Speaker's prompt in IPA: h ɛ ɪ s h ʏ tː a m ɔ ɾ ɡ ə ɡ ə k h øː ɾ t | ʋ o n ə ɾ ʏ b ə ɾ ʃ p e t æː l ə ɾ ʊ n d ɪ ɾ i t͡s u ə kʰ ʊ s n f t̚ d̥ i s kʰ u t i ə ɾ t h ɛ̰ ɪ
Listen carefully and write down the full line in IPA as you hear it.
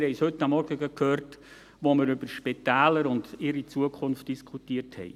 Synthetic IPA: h ɛ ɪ s h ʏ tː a m ɔ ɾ ɡ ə ɡ ə k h øː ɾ t | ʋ o m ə ɾ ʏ b ə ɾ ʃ p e t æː l ə ɾ ʊ n d ɪ ɾ i t͡s u ə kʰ ʊ n f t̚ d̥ i s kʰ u t i ə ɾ t h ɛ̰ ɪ